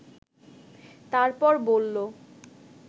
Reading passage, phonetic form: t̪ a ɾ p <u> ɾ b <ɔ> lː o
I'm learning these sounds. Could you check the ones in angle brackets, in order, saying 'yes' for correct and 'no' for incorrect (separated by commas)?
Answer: no, no